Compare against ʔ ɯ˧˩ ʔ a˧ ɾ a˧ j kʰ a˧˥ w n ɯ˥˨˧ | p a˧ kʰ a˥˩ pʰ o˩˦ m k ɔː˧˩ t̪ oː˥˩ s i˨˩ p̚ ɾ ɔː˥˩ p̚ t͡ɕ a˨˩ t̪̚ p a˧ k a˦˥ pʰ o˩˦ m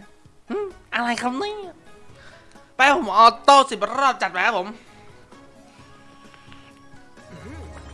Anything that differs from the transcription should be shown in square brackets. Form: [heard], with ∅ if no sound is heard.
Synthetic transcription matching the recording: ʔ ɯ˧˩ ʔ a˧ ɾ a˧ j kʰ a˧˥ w n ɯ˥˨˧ | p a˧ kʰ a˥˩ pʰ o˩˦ m [ʔ] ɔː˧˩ t̪ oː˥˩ s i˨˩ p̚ ɾ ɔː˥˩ p̚ t͡ɕ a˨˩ t̪̚ p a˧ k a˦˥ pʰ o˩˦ m